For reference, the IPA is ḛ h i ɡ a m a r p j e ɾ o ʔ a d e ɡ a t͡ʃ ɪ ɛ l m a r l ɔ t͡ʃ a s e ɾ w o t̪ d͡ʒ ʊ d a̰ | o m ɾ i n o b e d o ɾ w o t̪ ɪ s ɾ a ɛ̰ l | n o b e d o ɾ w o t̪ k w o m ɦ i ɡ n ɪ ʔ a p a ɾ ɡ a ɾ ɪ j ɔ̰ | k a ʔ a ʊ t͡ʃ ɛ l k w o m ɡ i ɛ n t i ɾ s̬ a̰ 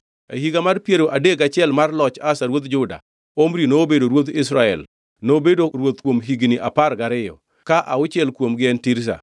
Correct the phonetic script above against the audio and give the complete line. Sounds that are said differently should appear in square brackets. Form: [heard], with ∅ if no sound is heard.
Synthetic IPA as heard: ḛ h i ɡ a m a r p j e ɾ o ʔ a d e ɡ a t͡ʃ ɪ ɛ l m a r l ɔ t͡ʃ a s [a] ɾ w o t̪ d͡ʒ ʊ d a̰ | o m ɾ i n o b e d o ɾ w o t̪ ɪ s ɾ a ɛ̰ l | n o b e d o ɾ w o t̪ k w o m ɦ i ɡ n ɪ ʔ a p a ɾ ɡ a ɾ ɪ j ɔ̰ | k a ʔ a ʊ t͡ʃ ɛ l k w o m ɡ [ɪ] ɛ n t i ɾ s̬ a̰

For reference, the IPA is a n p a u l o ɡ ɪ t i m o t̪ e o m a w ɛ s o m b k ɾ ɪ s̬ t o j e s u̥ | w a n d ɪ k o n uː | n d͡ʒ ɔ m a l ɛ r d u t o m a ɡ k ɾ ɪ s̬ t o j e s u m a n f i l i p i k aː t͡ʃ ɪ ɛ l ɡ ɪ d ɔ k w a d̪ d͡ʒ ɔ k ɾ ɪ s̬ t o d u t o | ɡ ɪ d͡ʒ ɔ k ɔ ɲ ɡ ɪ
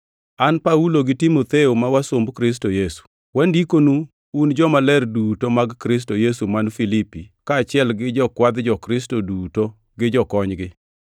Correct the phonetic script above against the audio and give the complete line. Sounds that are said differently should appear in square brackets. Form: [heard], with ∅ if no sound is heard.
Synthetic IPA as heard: a n p a u l o ɡ ɪ t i m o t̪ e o m a w [a] s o m b k ɾ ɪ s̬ t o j e s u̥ | w a n d [i] k o n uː | n d͡ʒ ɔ m a l ɛ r d u t o m a ɡ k ɾ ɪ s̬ t o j e s u m a n f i l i p i k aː t͡ʃ ɪ ɛ l ɡ ɪ [d͡ʒ] ɔ k w a d̪ d͡ʒ ɔ k ɾ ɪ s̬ t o d u t o | ɡ ɪ d͡ʒ ɔ k ɔ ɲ ɡ ɪ

